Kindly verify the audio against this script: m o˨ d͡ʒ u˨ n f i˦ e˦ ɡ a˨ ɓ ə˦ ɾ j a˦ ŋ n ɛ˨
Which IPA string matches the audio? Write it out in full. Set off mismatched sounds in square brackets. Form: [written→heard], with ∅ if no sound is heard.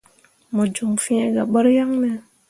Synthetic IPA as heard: m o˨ d͡ʒ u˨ [n→ŋ] f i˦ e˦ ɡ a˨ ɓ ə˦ ɾ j a˦ ŋ n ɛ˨

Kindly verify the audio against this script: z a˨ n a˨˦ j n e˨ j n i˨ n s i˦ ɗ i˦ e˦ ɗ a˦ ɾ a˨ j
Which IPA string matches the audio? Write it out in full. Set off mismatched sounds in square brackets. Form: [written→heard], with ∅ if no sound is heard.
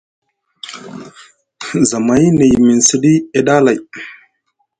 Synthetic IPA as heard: z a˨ [n→m] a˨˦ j n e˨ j [n→m] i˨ n s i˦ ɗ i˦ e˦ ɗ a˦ [ɾ→l] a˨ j

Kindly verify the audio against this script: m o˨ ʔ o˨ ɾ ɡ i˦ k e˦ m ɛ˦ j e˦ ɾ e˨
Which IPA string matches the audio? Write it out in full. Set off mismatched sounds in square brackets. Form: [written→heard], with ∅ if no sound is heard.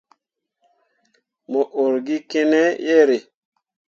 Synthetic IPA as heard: m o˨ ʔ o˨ ɾ ɡ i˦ k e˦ [m→n] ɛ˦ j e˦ ɾ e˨

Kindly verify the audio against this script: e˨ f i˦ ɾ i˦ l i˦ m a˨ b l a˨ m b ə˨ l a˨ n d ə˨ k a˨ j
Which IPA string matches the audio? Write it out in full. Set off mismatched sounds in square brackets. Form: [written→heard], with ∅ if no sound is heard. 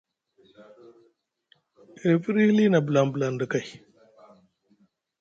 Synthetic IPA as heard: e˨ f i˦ ɾ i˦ l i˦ [m→n] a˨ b l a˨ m b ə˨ l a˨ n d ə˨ k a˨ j

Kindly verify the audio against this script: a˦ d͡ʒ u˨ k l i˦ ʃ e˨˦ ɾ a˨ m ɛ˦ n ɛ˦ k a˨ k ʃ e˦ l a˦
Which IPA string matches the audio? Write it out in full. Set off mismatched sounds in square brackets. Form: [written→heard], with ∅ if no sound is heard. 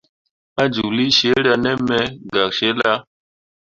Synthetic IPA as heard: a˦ d͡ʒ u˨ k l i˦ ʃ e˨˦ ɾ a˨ [m→n] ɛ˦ [n→m] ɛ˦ [k→ɡ] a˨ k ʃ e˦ l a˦

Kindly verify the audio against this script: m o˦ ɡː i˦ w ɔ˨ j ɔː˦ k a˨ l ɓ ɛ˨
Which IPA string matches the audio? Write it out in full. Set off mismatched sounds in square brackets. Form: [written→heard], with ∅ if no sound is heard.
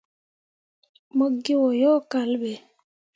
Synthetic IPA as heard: m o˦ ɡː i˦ w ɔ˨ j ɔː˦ k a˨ l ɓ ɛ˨

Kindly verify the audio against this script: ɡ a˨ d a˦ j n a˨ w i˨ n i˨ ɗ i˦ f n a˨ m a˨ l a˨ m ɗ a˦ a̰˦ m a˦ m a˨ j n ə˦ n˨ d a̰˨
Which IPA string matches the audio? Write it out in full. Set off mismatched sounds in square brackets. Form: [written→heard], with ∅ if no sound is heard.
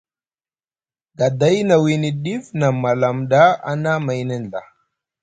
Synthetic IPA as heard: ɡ a˨ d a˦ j n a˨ w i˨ n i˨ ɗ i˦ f n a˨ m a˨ l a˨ m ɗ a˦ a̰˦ [m→n] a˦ m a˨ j n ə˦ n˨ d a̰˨

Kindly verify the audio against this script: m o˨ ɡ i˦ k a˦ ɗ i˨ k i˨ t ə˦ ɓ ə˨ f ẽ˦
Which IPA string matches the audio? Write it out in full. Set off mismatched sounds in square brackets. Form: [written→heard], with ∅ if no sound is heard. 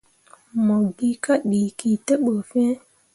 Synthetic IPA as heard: m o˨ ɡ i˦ k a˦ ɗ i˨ k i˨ t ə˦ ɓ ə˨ f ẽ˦

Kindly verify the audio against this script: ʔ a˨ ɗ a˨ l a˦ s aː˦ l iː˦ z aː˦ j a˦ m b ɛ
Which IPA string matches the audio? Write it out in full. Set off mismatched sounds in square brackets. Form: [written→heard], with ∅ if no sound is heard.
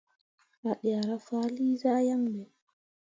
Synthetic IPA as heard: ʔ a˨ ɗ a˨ [l→ɾ] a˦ [s→f] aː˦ l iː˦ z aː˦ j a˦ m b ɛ

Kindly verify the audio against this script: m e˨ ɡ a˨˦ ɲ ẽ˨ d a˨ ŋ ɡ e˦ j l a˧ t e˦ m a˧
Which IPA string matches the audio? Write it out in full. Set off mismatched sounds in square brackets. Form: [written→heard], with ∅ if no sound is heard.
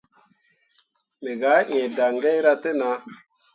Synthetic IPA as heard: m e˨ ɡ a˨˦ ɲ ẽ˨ d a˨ ŋ ɡ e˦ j [l→ɾ] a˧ t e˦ [m→n] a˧

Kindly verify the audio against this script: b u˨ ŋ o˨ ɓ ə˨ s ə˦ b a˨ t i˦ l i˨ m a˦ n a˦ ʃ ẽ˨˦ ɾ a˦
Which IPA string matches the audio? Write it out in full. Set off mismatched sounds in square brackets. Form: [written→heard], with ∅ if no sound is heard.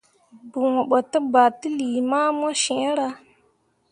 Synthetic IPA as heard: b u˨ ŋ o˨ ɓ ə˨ [s→t] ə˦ b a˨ t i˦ l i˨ m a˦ [n→m] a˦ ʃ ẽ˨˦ ɾ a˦

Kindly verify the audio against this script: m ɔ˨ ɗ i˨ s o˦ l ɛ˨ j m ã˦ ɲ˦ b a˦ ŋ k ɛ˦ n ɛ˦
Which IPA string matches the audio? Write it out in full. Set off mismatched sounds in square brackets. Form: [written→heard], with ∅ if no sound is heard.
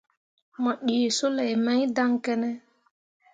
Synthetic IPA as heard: m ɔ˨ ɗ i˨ s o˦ l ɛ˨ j m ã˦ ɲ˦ [b→d] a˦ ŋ k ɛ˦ n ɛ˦

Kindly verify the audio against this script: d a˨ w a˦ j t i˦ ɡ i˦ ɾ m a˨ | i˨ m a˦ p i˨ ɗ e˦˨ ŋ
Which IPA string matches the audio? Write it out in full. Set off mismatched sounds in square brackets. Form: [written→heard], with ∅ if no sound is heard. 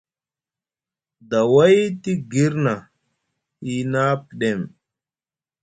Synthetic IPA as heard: d a˨ w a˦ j t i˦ ɡ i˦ ɾ [m→n] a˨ | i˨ [m→n] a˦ p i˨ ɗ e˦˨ [ŋ→m]

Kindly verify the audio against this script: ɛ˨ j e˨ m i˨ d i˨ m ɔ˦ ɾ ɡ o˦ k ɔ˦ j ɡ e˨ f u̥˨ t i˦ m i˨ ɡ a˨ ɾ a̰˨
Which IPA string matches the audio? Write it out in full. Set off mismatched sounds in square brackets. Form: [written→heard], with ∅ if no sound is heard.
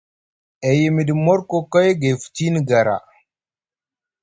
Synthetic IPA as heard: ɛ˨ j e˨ m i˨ d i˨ m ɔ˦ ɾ [ɡ→k] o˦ k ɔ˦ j ɡ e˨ f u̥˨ t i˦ [m→n] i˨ ɡ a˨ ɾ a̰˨

